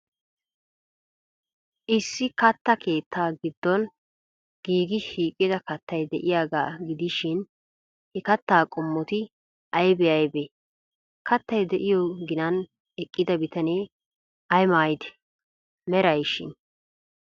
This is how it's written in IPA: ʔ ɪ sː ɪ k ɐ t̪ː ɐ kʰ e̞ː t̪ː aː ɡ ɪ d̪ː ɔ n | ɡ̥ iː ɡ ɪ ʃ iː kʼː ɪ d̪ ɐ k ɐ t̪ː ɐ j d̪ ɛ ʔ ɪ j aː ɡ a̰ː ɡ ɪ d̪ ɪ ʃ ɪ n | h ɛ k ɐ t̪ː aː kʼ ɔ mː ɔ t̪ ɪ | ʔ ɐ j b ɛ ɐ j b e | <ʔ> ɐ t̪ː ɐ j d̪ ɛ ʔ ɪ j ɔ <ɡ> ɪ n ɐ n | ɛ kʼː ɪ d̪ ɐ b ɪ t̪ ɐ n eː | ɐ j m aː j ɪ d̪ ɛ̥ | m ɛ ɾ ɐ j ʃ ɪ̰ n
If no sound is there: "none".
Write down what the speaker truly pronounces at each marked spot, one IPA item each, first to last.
k, ɡ

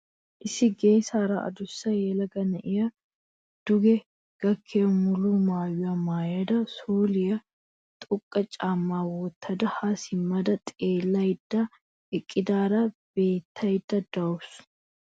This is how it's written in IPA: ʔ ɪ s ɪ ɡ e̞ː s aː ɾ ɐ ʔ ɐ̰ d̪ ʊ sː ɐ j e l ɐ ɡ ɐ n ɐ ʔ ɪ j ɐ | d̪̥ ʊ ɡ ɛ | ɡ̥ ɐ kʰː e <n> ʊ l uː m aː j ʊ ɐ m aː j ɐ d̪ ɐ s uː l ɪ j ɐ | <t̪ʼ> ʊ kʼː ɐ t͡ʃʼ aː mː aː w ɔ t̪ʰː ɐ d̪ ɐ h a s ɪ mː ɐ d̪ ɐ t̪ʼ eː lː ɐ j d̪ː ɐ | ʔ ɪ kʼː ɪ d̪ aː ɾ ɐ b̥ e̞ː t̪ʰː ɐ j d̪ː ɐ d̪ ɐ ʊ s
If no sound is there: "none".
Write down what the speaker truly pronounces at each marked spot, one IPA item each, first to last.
m, t̪ʼ

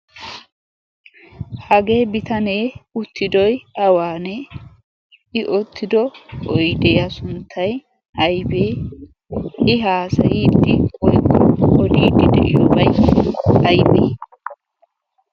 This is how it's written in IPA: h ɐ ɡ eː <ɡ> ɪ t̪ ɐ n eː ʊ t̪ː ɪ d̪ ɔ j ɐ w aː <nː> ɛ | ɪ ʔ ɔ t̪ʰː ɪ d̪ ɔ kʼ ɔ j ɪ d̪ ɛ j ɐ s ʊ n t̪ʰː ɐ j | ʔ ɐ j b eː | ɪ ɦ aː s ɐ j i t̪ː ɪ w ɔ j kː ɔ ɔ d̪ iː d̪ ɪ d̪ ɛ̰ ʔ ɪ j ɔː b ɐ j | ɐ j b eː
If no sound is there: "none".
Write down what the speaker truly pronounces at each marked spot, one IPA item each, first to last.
b, n

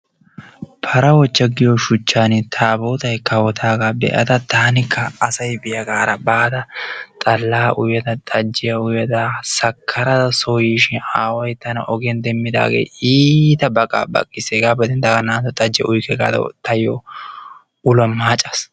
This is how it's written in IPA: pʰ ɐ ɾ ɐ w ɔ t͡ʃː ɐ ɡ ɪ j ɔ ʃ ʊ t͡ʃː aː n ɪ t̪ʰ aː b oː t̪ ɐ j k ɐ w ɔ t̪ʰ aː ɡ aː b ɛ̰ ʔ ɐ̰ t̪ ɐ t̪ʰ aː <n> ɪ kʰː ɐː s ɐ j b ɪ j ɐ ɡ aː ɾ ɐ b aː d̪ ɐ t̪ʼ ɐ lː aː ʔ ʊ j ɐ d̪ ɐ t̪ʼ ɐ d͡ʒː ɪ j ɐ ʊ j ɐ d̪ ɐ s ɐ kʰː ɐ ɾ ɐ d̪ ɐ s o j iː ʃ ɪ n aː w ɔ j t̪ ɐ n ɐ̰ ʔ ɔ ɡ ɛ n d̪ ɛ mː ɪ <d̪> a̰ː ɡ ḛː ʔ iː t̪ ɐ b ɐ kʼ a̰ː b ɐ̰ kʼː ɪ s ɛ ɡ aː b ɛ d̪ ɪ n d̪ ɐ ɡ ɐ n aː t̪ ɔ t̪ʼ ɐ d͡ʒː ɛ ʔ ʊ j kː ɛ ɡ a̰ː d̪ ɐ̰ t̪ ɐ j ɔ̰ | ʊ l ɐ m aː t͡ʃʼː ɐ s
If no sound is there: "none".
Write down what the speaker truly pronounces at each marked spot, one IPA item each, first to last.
n, d̪

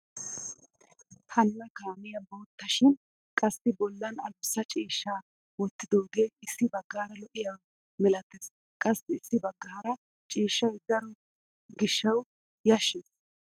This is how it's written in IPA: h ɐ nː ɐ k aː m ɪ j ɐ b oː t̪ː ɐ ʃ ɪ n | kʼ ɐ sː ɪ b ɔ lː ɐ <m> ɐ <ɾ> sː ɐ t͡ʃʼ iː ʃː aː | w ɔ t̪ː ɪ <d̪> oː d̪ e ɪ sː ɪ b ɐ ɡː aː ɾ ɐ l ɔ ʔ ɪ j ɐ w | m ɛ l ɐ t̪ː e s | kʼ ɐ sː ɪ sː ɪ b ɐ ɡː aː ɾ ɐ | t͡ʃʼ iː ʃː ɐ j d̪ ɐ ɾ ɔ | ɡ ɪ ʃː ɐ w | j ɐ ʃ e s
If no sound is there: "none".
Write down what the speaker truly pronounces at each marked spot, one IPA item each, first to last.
n, l, d̪

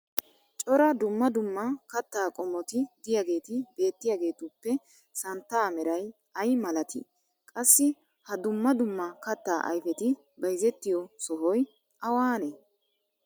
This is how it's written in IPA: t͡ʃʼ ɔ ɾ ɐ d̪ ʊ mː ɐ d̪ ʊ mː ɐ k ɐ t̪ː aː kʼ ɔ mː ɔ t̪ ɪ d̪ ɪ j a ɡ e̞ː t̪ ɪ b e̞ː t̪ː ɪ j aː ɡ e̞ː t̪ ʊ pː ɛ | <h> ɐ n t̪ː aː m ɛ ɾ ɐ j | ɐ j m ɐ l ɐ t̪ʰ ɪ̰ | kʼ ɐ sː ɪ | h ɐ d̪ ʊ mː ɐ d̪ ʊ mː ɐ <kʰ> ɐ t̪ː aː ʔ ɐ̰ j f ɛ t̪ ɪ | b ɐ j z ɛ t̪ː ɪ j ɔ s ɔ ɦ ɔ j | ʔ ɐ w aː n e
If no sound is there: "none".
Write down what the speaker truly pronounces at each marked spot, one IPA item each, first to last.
s, k

